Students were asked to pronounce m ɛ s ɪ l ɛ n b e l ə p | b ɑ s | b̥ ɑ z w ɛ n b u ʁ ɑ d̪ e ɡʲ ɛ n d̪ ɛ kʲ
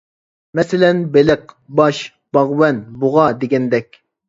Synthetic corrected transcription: m ɛ s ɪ l ɛ n b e l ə q | b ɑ ʃ | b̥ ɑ ʁ w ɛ n b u ʁ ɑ d̪ e ɡʲ ɛ n d̪ ɛ kʲ